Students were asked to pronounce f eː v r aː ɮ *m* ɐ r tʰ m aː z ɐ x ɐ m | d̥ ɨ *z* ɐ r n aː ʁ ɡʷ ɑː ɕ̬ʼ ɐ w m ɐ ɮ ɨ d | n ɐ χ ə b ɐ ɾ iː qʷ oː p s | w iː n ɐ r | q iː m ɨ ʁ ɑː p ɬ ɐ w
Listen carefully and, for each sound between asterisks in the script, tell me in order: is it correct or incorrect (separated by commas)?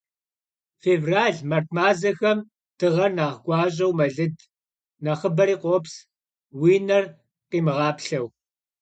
correct, incorrect